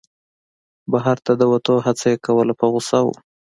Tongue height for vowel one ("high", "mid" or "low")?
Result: low